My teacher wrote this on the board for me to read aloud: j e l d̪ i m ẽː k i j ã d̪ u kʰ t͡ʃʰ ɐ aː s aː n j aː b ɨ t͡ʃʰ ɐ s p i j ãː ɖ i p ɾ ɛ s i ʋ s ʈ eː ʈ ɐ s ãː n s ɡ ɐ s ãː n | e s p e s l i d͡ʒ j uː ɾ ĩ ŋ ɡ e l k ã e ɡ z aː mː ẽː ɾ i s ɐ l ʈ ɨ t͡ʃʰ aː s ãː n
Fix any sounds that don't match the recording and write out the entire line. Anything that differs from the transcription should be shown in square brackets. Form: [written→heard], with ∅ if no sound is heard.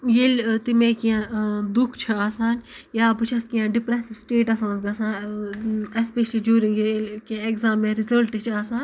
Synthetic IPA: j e l [d̪→t̪] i m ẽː k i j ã d̪ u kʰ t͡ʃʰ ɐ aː s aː n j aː b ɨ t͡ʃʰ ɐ s [p→k] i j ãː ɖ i p ɾ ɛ s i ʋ s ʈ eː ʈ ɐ s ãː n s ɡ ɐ s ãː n | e s p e [s→ʃ] l i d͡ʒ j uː ɾ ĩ ŋ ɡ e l k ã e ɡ z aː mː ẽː ɾ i [s→z] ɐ l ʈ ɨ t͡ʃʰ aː s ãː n